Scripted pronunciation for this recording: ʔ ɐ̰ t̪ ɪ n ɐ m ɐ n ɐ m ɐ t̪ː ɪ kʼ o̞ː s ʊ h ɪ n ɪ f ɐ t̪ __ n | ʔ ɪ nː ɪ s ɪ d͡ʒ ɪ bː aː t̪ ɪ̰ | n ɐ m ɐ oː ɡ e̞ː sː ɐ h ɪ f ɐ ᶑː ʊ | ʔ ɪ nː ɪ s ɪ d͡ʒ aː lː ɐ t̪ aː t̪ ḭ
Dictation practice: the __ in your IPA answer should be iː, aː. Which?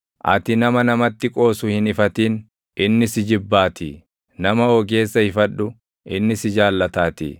iː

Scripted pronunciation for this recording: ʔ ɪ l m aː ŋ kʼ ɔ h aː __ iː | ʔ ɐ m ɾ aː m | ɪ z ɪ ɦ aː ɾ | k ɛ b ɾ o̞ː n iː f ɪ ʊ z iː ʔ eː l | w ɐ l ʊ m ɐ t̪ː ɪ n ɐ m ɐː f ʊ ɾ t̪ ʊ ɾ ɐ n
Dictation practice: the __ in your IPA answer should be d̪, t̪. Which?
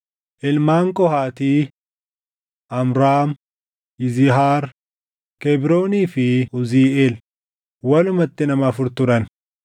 t̪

